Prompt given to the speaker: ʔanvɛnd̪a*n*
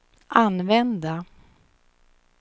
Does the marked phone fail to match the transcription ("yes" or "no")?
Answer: yes